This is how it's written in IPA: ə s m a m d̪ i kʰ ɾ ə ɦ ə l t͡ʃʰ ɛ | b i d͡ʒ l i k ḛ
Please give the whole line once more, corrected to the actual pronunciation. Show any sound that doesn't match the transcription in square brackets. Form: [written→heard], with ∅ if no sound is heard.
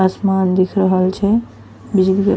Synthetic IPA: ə s m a [m→n] d̪ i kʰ ɾ ə ɦ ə l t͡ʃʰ ɛ | b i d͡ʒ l i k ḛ